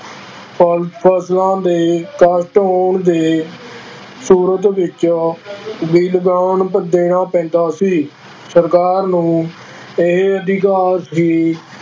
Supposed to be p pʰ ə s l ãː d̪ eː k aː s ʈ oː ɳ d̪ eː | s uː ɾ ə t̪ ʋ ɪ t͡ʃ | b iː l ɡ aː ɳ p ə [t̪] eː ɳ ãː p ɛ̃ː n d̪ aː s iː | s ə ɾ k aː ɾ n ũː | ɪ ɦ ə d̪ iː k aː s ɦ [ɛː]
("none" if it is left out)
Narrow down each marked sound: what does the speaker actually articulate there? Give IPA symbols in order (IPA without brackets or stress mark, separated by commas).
d̪, iː